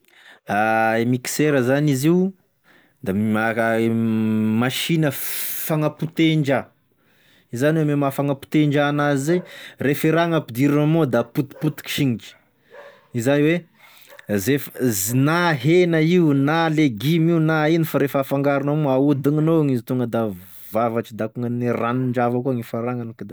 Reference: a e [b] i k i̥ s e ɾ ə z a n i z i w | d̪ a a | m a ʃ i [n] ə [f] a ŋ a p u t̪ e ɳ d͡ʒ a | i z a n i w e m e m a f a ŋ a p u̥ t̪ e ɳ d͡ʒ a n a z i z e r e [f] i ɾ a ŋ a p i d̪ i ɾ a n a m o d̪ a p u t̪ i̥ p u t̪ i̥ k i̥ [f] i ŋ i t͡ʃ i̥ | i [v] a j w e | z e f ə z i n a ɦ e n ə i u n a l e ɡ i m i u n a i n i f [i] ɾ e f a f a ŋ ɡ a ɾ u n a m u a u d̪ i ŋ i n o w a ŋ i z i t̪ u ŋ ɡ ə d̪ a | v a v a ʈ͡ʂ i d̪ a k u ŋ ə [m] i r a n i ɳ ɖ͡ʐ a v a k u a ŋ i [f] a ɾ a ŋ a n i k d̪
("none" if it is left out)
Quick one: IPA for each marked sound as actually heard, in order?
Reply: m, n, f, f, ʃ, z, a, n, f

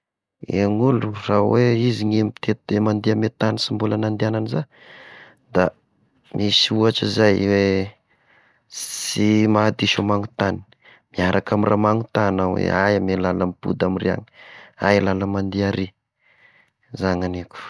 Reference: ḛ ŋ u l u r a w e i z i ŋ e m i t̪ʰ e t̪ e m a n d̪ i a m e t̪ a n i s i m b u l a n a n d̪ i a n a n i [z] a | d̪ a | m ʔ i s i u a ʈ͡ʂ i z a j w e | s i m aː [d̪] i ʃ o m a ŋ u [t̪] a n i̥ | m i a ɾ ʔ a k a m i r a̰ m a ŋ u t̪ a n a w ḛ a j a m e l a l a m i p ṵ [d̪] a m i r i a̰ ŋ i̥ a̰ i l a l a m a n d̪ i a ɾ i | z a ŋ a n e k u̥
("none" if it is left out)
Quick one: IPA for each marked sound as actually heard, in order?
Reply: z, d̪, t̪, d̪

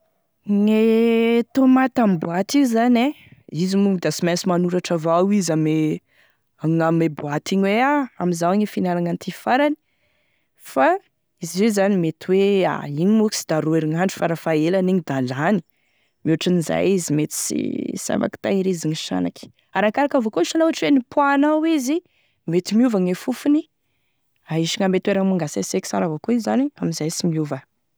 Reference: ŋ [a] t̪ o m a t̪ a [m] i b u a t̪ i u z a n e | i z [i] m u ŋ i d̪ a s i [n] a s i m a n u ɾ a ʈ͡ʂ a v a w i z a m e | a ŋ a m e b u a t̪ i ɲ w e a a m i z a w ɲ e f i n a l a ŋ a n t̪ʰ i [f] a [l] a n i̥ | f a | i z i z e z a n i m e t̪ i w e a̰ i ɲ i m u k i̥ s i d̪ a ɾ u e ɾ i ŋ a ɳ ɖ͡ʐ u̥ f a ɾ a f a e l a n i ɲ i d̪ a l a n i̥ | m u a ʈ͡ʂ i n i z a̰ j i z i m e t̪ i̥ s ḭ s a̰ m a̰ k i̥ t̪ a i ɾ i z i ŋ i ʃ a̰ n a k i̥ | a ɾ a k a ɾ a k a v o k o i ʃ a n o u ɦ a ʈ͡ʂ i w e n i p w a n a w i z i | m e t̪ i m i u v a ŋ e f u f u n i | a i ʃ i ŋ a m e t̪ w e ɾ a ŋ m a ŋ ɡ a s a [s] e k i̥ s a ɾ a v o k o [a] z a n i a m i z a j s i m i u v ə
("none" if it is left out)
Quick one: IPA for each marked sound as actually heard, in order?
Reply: e, m, i, m, f, ɾ, s, i

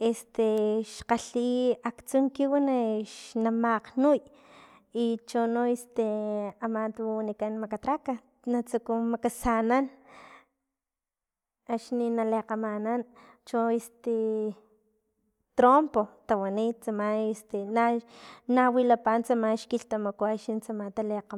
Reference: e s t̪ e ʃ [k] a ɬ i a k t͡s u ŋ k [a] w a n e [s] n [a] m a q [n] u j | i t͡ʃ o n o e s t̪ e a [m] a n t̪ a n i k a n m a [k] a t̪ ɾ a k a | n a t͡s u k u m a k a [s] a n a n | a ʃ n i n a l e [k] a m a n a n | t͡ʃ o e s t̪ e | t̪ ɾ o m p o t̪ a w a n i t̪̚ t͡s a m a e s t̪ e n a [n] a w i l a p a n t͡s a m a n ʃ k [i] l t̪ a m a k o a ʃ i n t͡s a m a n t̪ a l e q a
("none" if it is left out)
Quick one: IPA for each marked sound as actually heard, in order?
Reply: q, i, ʃ, a, n, m, k, s, q, n, i

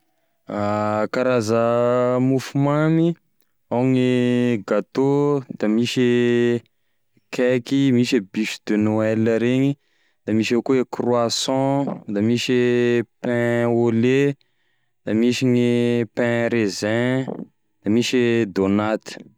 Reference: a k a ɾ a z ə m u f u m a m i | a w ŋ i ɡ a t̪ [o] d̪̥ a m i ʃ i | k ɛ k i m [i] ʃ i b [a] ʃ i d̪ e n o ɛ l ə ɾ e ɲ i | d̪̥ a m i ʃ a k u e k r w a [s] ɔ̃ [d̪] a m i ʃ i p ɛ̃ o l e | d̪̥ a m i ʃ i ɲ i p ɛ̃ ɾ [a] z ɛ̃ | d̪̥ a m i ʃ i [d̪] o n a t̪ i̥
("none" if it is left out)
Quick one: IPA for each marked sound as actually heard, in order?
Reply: o, i, i, s, d̪, e, d̪

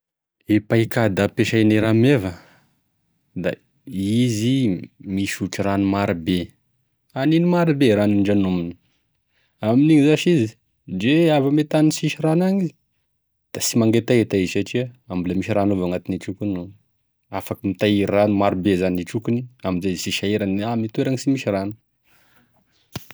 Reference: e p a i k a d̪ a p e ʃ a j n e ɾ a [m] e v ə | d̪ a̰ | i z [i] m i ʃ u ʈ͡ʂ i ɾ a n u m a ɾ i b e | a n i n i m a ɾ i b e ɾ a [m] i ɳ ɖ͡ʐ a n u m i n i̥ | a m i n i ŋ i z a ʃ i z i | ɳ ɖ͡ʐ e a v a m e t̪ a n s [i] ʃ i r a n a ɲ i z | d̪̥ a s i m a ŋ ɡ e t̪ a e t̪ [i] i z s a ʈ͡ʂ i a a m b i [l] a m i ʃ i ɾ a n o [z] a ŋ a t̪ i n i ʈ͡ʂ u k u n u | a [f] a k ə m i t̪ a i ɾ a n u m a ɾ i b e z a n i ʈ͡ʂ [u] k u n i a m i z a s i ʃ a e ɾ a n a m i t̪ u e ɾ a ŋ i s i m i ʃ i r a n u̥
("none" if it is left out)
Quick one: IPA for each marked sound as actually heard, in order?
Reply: m, i, n, i, a, l, v, f, u

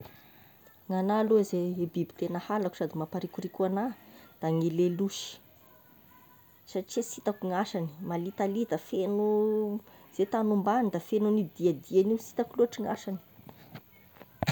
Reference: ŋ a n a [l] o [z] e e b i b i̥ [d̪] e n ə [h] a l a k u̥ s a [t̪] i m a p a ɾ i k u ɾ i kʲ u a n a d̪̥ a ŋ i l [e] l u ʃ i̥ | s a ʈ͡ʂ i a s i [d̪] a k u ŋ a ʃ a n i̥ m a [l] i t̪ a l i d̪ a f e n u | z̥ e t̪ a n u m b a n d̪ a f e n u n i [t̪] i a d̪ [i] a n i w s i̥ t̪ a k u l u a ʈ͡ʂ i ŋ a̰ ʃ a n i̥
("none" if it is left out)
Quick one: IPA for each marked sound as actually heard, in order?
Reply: l, z, t̪, h, d̪, e, t̪, l, d̪, i

